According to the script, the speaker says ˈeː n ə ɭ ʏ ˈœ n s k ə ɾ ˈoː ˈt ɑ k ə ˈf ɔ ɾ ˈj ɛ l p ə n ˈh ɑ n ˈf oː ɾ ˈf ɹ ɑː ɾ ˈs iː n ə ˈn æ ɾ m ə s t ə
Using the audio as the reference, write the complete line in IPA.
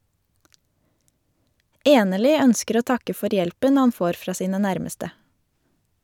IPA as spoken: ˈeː n ə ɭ ʏ ˈœ n s k ə ɾ ˈoː ˈt ɑ k ə ˈf ɔ ɾ ˈj ɛ l p ə n ˈh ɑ n ˈf oː ɾ ˈf ɹ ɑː ˈs iː n ə ˈn æ ɾ m ə s t ə